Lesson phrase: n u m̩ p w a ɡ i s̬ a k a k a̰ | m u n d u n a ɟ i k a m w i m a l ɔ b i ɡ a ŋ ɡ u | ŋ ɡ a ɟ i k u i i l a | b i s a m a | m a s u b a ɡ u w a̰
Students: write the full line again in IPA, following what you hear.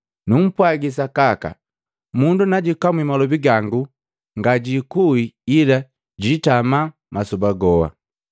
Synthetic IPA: n u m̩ p w a ɡ i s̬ a k a k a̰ | m u n d u n a ɟ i k a m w i m a l ɔ b i ɡ a ŋ ɡ u | ŋ ɡ a ɟ i k u i i l a | ɟ i t a m a | m a s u b a ɡ ɔ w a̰